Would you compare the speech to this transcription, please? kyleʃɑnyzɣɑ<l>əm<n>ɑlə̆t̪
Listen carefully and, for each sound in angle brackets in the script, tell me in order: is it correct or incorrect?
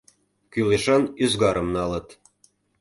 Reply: incorrect: ɾ, correct

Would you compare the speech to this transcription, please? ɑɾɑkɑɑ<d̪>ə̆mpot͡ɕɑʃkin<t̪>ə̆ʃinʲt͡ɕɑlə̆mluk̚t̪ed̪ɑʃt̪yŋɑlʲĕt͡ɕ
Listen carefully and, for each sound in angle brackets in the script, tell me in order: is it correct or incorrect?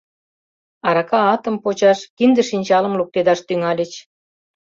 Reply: incorrect: t̪, incorrect: d̪

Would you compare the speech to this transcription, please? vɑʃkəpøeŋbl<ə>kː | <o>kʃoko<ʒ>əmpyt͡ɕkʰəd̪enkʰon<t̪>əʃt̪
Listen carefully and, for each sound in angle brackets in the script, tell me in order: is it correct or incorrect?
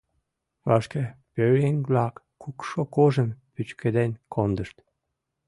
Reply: incorrect: ɑ, incorrect: u, correct, incorrect: d̪

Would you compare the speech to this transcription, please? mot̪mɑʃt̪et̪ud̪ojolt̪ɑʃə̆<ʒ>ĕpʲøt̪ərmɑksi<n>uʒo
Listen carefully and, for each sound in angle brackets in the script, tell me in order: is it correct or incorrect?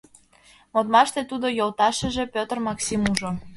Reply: correct, incorrect: m

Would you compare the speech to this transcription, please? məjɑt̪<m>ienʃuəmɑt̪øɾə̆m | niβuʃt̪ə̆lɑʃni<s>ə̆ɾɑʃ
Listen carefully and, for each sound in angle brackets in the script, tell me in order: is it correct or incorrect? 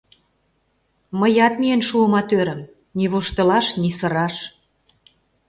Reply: correct, correct

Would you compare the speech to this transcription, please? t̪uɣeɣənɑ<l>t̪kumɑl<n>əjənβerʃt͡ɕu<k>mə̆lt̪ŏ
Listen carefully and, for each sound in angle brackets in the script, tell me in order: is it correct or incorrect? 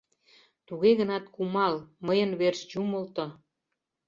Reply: incorrect: none, incorrect: m, incorrect: none

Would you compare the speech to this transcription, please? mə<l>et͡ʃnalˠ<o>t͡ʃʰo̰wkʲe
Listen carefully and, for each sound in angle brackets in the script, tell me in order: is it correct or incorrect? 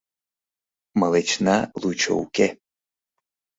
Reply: correct, incorrect: u

